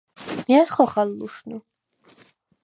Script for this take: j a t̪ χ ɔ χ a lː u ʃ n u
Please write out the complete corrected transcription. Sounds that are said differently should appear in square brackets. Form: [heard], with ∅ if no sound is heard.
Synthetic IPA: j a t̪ χ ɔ χ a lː u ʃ n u